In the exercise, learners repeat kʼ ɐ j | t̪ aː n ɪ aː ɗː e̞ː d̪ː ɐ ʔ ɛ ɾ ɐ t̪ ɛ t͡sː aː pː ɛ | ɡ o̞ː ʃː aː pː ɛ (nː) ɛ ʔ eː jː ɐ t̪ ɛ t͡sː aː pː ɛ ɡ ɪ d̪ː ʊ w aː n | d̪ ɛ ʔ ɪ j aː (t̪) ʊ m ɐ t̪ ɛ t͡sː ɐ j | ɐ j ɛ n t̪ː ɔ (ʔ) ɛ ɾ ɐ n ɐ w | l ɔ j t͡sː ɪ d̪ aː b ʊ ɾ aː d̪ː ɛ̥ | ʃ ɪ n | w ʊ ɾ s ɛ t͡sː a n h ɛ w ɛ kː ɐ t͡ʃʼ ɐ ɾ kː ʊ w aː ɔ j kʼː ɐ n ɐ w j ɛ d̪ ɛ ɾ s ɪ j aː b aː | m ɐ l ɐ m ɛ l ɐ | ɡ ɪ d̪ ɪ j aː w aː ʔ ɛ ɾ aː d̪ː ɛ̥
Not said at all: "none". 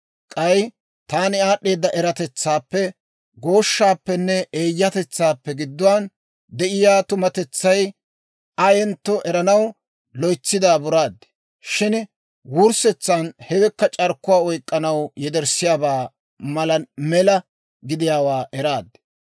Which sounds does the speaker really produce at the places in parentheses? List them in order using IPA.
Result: nː, t̪, ʔ

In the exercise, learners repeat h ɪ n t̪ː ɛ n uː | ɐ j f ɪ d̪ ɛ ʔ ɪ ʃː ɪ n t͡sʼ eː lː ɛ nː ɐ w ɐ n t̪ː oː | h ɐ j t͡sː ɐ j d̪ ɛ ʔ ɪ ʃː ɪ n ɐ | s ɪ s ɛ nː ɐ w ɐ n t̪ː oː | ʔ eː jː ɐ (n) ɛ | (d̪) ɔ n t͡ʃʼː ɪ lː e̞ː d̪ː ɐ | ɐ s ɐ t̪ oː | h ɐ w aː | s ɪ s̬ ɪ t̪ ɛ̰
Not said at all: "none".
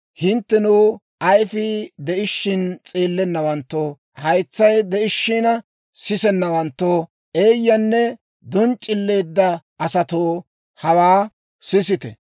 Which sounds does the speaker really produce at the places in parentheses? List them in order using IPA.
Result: nː, d̪

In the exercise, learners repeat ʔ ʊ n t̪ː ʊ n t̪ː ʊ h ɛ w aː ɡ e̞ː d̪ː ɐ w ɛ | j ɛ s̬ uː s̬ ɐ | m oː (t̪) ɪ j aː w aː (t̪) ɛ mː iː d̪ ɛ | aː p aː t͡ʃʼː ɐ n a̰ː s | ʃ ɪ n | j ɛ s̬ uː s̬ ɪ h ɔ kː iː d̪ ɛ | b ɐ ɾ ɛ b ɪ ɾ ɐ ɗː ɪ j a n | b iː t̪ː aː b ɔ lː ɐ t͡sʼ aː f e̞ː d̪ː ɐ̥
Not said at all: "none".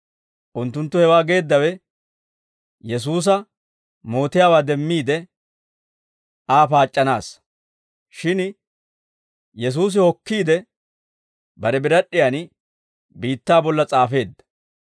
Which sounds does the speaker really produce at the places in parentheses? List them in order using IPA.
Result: t̪, d̪

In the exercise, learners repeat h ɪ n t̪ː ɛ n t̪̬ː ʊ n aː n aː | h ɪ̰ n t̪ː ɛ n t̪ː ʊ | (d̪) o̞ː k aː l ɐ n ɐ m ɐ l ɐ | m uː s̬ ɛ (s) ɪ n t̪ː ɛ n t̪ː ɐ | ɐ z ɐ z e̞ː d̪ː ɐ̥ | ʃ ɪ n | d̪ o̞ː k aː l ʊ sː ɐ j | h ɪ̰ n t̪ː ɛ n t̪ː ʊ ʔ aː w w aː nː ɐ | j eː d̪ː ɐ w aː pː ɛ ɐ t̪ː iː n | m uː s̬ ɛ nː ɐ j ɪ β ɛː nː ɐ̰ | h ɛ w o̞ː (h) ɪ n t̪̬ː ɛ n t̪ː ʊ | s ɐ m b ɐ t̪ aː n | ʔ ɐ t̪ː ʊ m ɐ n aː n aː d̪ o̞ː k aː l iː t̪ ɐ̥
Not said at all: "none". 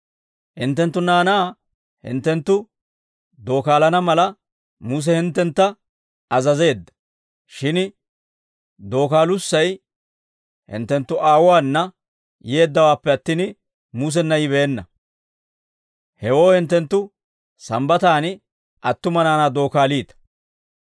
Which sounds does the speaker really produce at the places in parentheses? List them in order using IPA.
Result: d̪, h, h

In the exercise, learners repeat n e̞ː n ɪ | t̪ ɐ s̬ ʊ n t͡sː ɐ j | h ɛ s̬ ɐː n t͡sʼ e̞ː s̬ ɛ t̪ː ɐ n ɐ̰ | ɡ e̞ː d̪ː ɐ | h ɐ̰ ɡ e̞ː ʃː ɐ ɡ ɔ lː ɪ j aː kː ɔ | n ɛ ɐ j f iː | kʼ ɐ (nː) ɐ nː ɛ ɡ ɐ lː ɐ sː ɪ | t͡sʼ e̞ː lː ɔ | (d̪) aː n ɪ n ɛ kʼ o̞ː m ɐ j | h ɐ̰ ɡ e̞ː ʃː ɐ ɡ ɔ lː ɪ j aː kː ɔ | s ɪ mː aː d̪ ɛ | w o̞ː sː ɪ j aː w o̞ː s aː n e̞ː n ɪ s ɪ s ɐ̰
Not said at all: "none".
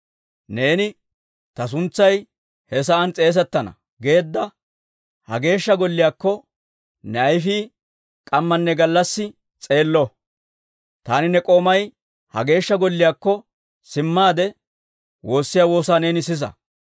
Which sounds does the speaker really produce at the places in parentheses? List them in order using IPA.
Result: mː, t̪

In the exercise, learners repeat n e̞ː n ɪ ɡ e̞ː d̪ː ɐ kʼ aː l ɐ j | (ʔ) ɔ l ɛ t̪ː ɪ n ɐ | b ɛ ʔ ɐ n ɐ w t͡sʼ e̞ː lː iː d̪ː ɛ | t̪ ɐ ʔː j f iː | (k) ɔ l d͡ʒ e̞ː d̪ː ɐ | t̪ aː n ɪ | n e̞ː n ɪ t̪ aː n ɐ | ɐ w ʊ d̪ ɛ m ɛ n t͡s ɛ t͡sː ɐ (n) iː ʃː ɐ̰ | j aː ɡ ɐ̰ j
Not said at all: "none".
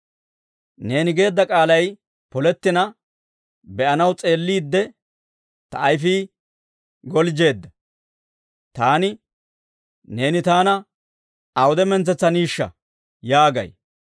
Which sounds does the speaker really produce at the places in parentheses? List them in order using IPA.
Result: p, ɡ, n

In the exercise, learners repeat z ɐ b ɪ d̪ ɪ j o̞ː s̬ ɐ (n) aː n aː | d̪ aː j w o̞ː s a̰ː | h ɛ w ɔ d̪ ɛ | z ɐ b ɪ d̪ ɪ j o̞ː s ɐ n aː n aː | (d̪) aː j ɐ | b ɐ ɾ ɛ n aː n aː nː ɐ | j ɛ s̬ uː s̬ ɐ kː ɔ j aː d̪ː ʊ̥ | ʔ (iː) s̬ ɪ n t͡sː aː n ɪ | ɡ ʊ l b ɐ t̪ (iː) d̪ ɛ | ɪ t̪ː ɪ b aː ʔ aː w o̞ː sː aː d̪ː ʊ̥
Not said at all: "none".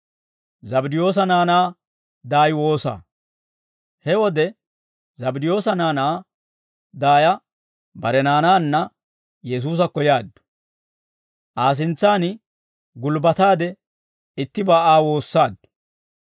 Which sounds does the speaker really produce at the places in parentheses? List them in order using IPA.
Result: n, d̪, aː, aː

